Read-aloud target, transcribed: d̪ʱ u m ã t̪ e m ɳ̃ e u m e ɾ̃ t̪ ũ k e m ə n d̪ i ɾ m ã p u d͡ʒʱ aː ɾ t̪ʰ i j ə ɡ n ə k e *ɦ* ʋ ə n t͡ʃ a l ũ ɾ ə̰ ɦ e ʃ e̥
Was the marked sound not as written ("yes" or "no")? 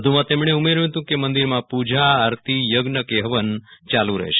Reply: no